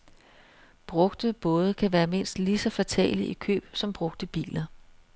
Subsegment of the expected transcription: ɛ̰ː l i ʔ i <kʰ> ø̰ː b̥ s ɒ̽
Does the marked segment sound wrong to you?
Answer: no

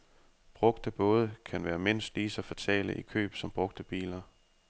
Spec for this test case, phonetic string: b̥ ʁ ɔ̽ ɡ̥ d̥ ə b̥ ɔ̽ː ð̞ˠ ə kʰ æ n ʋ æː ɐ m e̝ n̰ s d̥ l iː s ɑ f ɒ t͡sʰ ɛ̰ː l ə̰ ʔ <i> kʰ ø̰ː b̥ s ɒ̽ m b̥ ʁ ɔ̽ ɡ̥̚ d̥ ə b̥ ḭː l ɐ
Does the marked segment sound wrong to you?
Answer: no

